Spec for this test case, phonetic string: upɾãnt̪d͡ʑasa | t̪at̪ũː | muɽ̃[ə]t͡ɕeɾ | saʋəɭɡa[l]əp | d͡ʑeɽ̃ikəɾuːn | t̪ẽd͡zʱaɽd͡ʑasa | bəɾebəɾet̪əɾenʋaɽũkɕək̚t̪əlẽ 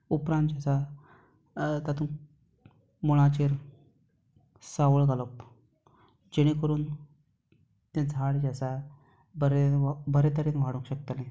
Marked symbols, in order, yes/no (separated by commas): no, yes